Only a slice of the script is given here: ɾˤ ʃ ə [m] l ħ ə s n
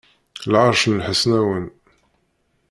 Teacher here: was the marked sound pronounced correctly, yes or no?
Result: no